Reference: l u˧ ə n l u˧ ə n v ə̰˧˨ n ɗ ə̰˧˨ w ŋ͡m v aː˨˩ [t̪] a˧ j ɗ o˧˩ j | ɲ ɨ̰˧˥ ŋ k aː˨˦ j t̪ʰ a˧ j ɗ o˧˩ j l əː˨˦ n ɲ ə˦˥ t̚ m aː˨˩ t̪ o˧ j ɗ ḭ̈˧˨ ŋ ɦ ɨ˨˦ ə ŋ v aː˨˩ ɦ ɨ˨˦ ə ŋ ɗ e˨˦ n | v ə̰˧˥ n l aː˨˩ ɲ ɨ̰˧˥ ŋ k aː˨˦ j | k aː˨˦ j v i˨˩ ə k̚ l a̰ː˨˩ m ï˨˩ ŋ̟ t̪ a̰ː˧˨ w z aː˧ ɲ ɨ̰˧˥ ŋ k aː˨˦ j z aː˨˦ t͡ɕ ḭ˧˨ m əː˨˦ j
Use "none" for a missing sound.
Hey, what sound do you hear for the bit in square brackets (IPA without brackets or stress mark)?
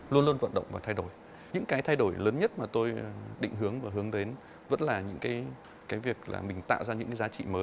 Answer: t̪ʰ